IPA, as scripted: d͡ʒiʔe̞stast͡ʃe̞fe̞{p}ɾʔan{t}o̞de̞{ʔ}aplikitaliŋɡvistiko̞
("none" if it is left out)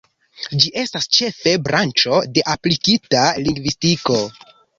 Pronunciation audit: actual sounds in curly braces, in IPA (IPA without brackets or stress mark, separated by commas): b, t͡ʃ, ʔ